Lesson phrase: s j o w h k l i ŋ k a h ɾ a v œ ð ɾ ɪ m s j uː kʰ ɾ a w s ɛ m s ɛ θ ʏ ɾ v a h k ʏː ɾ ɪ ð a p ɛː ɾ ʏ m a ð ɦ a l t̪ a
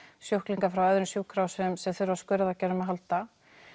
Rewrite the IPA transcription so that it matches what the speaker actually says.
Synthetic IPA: s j o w h k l i ŋ k a f ɾ a w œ ð ɾ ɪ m s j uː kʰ ɾ a w s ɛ m s ɛ θ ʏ ɾ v a s k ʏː ɾ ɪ ð a c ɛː ɾ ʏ m a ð ɦ a l t̪ a